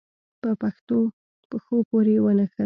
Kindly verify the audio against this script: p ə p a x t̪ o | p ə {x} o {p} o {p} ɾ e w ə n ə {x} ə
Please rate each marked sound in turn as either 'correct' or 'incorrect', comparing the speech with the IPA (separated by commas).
correct, correct, incorrect, correct